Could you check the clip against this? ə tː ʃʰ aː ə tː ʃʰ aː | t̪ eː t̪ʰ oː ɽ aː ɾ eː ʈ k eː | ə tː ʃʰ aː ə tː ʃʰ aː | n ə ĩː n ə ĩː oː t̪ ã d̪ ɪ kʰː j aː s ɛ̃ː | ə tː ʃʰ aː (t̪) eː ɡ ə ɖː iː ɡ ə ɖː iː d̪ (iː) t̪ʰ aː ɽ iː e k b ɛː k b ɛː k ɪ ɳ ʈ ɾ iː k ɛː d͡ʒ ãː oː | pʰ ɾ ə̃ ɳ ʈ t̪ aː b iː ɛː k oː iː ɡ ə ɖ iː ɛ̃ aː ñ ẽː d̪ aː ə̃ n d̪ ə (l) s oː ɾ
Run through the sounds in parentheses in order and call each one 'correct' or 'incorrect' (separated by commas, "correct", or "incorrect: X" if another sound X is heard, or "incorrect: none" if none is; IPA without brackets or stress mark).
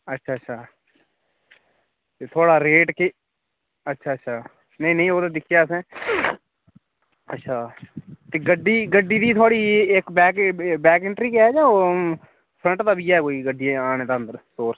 correct, correct, incorrect: ɾ